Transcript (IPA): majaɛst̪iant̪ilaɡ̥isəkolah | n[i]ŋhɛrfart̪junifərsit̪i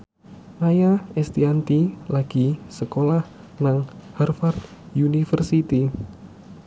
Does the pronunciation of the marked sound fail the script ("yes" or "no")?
yes